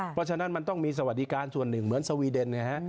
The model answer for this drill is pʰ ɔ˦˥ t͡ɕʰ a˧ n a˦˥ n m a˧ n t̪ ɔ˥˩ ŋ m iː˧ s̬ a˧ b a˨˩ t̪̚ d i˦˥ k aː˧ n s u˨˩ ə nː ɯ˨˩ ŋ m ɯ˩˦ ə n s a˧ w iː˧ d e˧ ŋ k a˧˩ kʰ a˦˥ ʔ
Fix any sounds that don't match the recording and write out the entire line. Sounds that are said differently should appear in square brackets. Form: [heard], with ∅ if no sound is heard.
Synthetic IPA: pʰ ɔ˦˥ t͡ɕʰ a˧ n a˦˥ n m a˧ n t̪ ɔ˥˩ ŋ m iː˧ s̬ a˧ [w] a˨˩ t̪̚ d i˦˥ k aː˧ n s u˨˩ ə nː ɯ˨˩ ŋ m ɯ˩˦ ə n s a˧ w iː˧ d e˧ [n] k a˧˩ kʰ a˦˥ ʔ